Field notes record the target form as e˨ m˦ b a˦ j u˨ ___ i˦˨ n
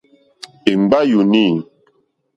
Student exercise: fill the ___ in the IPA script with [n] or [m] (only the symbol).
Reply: n